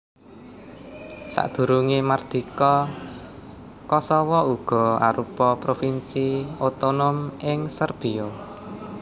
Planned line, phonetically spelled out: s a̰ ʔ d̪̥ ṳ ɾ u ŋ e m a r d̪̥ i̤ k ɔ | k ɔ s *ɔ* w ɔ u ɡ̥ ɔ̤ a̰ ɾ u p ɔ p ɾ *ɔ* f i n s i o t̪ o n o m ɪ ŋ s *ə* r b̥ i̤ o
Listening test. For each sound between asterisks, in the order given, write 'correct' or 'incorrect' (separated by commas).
correct, incorrect, correct